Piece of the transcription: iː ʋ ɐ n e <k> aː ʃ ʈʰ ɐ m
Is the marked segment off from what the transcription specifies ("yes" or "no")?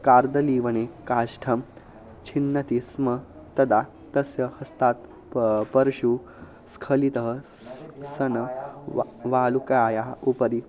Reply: no